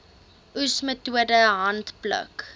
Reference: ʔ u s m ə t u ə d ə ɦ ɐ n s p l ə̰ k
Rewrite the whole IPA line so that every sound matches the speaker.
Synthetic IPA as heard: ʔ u s m ə t u ə d ə ɦ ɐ n t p l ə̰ k

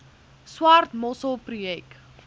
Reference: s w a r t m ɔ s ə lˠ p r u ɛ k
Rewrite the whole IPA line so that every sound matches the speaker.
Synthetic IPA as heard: s w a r t m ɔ s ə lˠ p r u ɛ k

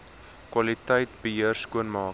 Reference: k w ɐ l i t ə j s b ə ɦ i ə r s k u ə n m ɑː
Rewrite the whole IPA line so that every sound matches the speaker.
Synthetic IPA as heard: k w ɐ l i t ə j t b ə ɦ i ə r s k u ə n m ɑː

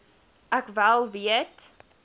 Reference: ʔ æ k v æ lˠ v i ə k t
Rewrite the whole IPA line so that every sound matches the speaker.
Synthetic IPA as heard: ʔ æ k v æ lˠ v i ə t

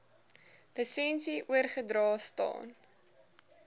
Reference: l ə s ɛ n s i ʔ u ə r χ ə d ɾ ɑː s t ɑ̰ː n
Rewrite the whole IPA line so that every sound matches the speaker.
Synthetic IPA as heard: l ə s ɛ n s i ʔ u ə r χ ə d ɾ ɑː s t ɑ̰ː n

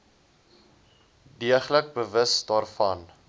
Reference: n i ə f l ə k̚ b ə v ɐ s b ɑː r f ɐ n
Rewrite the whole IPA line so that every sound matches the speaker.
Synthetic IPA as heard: d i ə χ l ə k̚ b ə v ə s d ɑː r f ɐ n

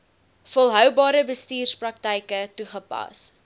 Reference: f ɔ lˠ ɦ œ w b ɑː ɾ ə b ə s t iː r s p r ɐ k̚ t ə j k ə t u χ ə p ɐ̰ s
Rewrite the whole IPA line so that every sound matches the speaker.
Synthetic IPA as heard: f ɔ lˠ ɦ œ w b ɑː ɾ ə b ə s t iː r s p r ɐ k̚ t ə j k ə t u χ ə p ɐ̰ s

